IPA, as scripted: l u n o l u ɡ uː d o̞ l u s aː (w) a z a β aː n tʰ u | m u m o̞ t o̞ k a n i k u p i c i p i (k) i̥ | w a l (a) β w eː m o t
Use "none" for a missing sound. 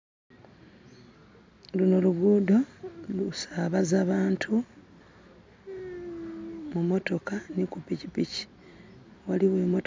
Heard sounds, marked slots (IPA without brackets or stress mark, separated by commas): β, c, i